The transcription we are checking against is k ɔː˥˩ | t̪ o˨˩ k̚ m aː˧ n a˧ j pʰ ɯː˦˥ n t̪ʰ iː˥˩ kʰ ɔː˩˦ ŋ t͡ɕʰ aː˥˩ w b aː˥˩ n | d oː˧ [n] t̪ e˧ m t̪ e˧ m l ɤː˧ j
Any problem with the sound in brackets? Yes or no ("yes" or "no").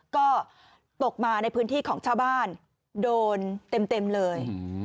no